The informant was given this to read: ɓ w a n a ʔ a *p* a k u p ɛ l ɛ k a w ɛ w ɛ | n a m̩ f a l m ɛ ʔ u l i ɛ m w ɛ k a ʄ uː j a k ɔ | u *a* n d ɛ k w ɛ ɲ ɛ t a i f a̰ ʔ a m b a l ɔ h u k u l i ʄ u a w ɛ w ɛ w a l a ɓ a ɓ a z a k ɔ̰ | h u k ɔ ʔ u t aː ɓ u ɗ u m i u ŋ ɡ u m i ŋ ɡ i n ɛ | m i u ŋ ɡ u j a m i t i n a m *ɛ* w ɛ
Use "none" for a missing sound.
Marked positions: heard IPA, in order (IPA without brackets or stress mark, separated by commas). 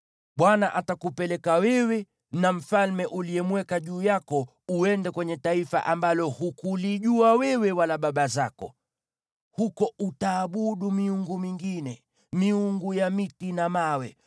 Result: t, ɛ, a